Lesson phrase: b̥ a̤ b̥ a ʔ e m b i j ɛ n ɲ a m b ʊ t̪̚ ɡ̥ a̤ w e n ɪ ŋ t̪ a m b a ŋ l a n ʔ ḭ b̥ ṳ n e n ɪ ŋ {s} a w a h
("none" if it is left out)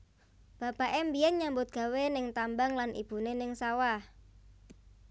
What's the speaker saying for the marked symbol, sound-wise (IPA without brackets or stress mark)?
s